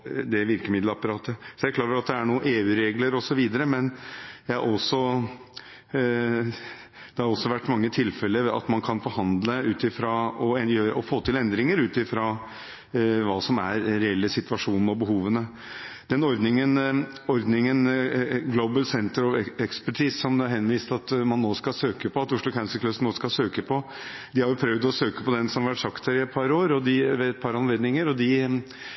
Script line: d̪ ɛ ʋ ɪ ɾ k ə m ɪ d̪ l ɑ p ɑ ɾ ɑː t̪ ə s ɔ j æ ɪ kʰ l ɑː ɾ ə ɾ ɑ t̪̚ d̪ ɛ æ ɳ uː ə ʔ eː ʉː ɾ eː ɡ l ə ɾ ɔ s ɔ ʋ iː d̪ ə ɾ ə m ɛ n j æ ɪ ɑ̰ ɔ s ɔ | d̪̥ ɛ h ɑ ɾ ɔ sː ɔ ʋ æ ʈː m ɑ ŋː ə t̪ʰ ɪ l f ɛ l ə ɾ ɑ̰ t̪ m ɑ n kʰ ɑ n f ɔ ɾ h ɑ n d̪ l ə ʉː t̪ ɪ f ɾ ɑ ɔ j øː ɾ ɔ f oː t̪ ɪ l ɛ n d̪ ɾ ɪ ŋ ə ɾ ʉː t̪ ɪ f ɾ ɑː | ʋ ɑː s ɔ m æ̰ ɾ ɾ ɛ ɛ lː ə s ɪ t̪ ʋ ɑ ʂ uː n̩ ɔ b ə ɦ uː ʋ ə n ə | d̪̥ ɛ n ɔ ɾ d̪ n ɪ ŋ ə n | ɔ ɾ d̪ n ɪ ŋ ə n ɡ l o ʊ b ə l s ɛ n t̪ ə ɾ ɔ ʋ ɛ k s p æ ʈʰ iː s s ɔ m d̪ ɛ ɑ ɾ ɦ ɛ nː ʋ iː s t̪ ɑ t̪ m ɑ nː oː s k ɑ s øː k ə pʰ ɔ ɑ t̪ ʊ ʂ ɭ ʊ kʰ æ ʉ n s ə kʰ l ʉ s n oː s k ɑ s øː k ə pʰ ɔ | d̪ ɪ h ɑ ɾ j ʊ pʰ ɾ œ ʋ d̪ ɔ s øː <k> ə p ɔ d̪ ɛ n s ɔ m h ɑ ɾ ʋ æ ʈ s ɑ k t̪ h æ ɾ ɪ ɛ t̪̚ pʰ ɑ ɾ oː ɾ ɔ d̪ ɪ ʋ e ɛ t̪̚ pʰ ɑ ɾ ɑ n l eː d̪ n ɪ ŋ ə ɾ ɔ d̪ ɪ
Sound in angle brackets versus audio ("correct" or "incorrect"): correct